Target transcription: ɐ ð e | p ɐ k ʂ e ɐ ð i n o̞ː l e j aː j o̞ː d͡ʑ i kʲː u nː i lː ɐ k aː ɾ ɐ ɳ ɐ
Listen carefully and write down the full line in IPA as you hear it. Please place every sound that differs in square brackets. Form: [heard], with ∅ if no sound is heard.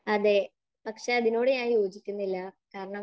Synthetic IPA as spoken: ɐ ð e | p ɐ k ʂ e ɐ ð i n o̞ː [ɽ] e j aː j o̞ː d͡ʑ i kʲː u nː i lː ɐ k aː ɾ ɐ ɳ ɐ